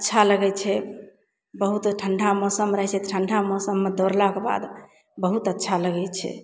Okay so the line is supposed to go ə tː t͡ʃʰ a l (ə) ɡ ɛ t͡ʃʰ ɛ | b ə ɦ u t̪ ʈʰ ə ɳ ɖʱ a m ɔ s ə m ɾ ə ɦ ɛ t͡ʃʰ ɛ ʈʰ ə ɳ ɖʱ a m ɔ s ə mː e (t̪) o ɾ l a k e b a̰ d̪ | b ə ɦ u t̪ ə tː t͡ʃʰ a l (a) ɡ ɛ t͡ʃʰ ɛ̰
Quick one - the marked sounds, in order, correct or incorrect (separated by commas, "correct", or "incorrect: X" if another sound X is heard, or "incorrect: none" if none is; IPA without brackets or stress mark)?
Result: correct, incorrect: d̪, incorrect: ə